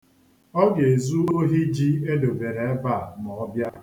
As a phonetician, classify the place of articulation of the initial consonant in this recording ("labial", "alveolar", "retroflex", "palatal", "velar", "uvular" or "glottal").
velar